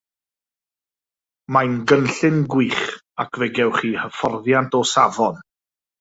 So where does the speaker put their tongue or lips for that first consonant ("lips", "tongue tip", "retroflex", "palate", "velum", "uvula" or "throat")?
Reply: lips